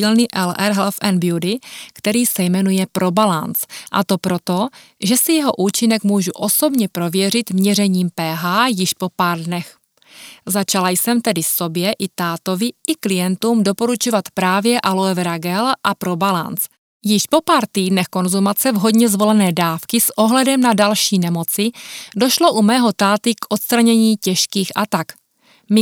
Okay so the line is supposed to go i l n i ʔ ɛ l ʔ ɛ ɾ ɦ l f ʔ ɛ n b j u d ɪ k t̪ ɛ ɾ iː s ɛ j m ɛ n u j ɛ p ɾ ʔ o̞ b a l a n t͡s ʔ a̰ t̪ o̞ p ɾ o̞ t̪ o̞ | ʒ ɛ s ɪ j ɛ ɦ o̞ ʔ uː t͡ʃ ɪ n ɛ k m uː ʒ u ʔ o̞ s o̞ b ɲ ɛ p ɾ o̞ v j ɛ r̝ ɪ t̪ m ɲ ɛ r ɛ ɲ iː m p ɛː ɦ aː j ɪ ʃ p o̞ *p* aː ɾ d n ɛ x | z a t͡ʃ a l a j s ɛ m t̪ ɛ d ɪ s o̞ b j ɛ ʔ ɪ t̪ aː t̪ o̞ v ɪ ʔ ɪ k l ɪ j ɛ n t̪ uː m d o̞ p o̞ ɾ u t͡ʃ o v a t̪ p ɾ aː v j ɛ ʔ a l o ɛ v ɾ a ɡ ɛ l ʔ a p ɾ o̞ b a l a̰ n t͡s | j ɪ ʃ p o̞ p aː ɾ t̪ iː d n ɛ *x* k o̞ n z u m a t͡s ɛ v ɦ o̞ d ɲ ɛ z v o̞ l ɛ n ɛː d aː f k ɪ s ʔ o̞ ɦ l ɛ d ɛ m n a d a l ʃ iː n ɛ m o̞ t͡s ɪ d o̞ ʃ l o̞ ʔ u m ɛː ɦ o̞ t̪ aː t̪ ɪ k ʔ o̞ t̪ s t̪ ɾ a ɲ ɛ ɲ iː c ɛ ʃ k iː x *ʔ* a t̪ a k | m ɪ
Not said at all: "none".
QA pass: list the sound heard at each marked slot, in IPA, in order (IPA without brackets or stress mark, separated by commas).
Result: p, x, ʔ